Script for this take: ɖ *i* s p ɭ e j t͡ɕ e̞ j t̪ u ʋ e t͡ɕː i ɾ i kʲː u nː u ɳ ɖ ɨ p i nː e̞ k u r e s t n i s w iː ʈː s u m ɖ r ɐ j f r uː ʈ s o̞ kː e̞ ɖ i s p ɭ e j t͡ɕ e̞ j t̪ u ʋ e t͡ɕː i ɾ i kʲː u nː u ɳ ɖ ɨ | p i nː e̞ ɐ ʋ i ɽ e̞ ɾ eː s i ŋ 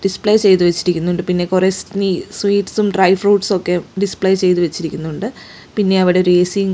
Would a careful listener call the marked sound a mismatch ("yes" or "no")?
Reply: no